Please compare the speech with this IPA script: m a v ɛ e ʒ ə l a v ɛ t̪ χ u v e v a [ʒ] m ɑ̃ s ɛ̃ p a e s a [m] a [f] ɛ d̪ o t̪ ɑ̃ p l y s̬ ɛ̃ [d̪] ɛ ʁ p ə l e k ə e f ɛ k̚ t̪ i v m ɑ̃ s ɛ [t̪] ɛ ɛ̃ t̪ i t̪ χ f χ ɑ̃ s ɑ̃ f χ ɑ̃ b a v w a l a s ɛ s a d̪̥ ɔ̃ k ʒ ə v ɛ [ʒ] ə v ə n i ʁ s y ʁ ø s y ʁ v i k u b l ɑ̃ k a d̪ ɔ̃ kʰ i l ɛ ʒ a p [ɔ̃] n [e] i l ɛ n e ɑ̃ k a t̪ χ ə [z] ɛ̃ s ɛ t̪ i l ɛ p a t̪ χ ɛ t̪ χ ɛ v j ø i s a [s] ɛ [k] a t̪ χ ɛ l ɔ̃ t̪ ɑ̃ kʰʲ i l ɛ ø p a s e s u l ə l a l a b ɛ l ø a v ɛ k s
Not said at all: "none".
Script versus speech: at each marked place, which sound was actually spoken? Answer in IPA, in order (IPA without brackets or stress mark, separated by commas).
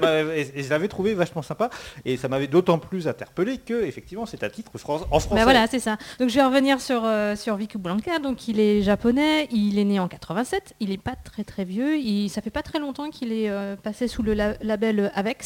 ʃ, m, v, t̪, t̪, ʁ, ɔ, ɛ, v, f, p